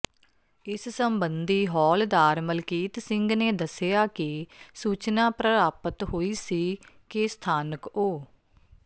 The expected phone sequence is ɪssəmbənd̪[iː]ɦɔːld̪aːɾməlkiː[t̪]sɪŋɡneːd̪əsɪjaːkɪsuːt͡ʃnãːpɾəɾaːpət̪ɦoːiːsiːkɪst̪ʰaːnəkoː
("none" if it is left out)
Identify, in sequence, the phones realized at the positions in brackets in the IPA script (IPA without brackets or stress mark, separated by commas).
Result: iː, t̪